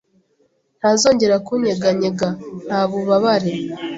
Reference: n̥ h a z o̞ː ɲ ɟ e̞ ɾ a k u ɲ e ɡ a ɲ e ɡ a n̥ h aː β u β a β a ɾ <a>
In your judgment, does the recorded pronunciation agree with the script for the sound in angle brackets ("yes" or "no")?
no